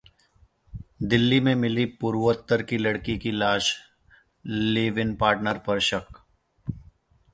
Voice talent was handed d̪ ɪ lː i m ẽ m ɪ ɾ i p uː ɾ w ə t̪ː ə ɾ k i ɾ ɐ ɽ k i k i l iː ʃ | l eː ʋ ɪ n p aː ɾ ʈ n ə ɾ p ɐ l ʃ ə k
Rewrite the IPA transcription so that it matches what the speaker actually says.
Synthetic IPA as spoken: d̪ ɪ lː i m ẽ m ɪ l i p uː ɾ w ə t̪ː ə ɾ k i l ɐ ɽ k i k i l aː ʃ | l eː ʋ ɪ n p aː ɾ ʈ n ə ɾ p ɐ ɾ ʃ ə k